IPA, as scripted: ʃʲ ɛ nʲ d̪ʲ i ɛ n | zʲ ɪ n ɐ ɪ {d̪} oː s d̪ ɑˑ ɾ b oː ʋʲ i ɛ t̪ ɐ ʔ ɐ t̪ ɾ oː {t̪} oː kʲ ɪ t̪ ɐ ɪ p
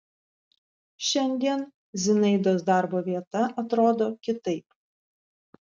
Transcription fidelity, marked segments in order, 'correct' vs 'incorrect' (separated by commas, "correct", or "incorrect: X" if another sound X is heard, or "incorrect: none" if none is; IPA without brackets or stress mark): correct, incorrect: d̪